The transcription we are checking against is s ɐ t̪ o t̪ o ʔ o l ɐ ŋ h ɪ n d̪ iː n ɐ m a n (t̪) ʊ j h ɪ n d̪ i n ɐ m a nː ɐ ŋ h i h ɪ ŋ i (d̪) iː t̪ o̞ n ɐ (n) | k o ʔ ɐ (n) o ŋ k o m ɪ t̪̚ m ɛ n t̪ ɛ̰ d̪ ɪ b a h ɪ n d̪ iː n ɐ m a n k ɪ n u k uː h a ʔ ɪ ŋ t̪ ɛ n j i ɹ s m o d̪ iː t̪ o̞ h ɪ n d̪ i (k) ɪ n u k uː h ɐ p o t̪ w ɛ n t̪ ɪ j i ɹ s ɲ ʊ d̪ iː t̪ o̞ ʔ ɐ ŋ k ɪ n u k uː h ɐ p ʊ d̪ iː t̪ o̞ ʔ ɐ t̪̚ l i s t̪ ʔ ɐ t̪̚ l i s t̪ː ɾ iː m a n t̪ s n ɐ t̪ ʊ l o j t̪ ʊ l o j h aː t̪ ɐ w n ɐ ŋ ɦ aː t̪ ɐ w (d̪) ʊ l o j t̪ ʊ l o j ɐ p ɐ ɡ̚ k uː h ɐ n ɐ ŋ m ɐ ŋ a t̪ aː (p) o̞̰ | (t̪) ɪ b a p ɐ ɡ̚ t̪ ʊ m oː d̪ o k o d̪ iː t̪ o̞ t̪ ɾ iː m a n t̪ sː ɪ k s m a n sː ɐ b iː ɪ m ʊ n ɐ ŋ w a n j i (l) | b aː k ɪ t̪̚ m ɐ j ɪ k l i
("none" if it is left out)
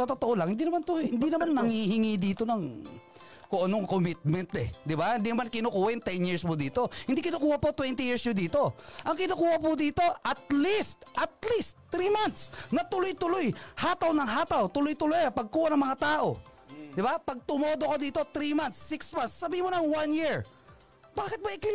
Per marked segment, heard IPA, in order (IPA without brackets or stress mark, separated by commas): t̪, d̪, ŋ, n, k, t̪, ʔ, d̪, ɹ